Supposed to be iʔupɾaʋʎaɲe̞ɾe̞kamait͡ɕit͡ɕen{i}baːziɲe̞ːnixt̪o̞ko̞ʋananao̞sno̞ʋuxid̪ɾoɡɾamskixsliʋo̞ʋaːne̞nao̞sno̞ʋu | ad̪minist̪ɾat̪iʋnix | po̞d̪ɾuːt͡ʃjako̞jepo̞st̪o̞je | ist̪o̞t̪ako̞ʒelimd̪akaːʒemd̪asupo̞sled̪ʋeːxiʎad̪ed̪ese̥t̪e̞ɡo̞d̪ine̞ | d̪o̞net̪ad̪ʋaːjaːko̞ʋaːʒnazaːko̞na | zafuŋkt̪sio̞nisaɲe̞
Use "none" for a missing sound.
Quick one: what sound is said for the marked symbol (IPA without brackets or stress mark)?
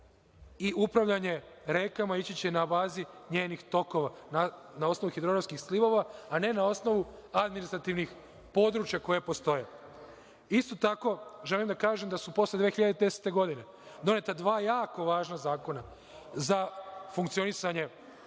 a